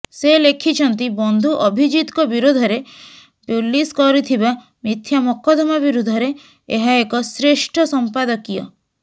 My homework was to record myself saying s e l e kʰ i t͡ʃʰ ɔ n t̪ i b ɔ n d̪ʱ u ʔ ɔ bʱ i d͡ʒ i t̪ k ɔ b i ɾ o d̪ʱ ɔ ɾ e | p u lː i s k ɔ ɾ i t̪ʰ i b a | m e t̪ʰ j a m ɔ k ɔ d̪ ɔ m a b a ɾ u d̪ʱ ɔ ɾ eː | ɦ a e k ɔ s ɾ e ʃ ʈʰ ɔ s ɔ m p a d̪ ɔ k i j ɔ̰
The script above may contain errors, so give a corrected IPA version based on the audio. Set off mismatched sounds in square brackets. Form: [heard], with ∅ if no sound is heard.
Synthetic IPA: s e l e kʰ i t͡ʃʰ ɔ n t̪ i b ɔ n d̪ʱ u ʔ ɔ bʱ i d͡ʒ i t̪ k ɔ b i ɾ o d̪ʱ ɔ ɾ e | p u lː i s k ɔ ɾ i t̪ʰ i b a | m [i] t̪ʰ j a m ɔ k ɔ d̪ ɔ m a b [i] ɾ u d̪ʱ ɔ ɾ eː | ɦ a e k ɔ s ɾ e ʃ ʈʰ ɔ s ɔ m p a d̪ ɔ k i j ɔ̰

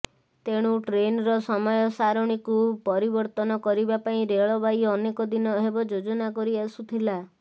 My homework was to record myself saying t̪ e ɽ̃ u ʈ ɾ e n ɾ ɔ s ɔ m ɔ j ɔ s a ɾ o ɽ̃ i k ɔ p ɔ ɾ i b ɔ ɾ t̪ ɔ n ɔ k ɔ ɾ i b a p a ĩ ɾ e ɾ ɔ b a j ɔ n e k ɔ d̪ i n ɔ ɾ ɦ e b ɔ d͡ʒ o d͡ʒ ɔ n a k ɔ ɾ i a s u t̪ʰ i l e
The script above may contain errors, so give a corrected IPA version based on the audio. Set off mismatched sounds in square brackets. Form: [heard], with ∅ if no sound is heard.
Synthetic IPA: t̪ e ɽ̃ u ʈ ɾ e n ɾ ɔ s ɔ m ɔ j ɔ s a ɾ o ɽ̃ i k [u] p ɔ ɾ i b ɔ ɾ t̪ ɔ n ɔ k ɔ ɾ i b a p a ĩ ɾ e [ɭ] ɔ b a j ɔ n e k ɔ d̪ i n ɔ [∅] ɦ e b ɔ d͡ʒ o d͡ʒ ɔ n a k ɔ ɾ i a s u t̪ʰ i l [a]

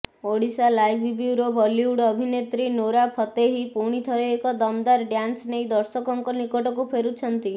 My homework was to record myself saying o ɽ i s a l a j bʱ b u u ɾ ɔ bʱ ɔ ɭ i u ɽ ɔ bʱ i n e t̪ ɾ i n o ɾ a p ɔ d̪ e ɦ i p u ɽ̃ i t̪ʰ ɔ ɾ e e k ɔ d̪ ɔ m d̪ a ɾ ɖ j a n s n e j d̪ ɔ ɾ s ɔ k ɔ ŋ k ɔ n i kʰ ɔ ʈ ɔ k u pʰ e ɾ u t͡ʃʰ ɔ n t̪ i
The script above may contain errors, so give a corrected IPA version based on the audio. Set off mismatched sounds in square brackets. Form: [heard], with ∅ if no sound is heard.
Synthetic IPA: o ɽ i s a l a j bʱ b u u ɾ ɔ bʱ ɔ [l] i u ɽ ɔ bʱ i n e t̪ ɾ i n o ɾ a [pʰ] ɔ [t̪] e ɦ i p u ɽ̃ i t̪ʰ ɔ ɾ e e k ɔ d̪ ɔ m d̪ a ɾ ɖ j a n s n e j d̪ ɔ ɾ s ɔ k ɔ ŋ k ɔ n i [k] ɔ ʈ ɔ k u pʰ e ɾ u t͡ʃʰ ɔ n t̪ i

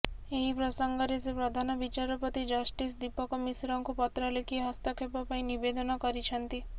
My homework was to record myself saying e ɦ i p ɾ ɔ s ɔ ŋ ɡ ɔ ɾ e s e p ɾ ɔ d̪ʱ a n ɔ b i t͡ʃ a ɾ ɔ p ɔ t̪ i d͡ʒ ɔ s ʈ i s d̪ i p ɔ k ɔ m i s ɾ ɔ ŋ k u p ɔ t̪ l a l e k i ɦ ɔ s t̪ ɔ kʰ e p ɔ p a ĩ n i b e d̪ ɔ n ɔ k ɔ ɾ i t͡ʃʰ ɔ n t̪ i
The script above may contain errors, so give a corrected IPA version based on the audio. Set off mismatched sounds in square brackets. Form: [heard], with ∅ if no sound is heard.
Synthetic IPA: e ɦ i p ɾ ɔ s ɔ ŋ ɡ ɔ ɾ e s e p ɾ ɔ d̪ʱ a n ɔ b i t͡ʃ a ɾ ɔ p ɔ t̪ i d͡ʒ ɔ s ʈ i s d̪ i p ɔ k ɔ m i s ɾ ɔ ŋ k u p ɔ t̪ [ɾ] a l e k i ɦ ɔ s t̪ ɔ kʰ e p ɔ p a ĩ n i b e d̪ ɔ n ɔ k ɔ ɾ i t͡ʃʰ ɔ n t̪ i

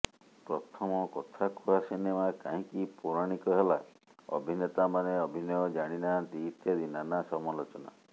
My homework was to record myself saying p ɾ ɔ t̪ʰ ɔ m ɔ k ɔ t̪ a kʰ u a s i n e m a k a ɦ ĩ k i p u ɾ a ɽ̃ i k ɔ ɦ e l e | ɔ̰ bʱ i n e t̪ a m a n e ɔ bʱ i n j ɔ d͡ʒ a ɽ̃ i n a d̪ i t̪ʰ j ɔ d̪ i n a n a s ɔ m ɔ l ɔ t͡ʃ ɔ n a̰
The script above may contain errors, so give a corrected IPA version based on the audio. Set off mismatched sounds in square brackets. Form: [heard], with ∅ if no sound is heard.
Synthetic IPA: p ɾ ɔ t̪ʰ ɔ m ɔ k ɔ [t̪ʰ] a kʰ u a s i n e m a k a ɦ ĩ k i p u ɾ a ɽ̃ i k ɔ ɦ e l [a] | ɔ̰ bʱ i n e t̪ a m a n e ɔ bʱ i n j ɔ d͡ʒ a ɽ̃ i n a d̪ i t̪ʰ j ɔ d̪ i n a n a s ɔ m ɔ l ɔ t͡ʃ ɔ n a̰

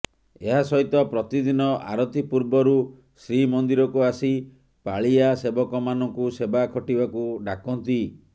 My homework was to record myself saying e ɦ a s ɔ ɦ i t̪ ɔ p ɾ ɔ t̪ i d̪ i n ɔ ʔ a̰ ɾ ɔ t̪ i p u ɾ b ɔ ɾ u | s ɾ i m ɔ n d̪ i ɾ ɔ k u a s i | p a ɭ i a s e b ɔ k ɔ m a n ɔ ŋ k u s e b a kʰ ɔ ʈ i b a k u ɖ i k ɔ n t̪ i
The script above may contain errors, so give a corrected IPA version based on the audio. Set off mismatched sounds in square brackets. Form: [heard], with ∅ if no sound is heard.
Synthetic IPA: e ɦ a s ɔ ɦ i t̪ ɔ p ɾ ɔ t̪ i d̪ i n ɔ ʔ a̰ ɾ ɔ t̪ i p u ɾ b ɔ ɾ u | s ɾ i m ɔ n d̪ i ɾ ɔ k u a s i | p a ɭ i a s e b ɔ k ɔ m a n ɔ ŋ k u s e b a kʰ ɔ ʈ i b a k u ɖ [a] k ɔ n t̪ i

